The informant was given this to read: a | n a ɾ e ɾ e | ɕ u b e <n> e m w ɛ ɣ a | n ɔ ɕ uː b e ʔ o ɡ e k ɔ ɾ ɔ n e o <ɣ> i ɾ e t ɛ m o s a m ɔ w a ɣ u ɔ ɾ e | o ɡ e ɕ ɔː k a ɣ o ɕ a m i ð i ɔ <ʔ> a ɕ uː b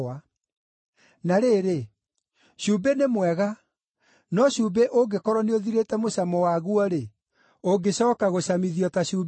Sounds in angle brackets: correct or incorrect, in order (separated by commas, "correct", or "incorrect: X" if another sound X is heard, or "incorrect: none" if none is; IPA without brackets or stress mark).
correct, incorrect: ð, incorrect: t